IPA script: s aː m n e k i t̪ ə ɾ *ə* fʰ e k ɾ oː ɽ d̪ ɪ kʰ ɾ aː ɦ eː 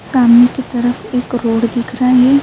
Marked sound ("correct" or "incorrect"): correct